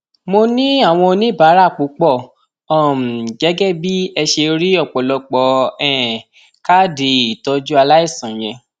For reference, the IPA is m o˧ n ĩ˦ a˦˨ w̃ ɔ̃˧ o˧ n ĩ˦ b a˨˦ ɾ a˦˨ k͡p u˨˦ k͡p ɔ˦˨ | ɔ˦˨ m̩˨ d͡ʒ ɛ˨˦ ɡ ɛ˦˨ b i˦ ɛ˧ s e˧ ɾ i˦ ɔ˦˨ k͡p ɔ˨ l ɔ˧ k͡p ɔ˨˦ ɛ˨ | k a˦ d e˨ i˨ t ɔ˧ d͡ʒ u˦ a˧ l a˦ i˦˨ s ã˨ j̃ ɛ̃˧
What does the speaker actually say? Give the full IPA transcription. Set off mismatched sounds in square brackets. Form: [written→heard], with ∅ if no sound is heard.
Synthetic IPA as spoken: m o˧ n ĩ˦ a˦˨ w̃ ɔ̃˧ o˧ n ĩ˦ b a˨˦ ɾ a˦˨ k͡p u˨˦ k͡p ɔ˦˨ | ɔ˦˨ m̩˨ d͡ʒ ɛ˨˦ ɡ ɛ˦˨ b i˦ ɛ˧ [s→ʃ] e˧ ɾ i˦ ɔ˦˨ k͡p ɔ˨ l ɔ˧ k͡p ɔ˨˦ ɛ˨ | k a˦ d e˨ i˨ t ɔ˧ d͡ʒ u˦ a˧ l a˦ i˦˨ s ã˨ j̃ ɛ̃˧